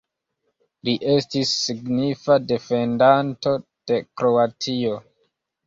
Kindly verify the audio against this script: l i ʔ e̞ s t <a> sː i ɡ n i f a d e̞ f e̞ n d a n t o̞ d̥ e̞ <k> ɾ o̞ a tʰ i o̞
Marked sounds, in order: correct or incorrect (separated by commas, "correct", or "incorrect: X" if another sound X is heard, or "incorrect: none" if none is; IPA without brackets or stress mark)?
incorrect: i, correct